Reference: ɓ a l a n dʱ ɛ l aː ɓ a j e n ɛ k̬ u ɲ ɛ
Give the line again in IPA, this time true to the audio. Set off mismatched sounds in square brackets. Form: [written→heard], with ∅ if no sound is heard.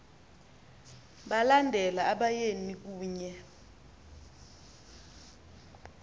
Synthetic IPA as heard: ɓ a l a n dʱ ɛ l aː ɓ a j e n [ɛ→i] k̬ [u→uː] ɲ ɛ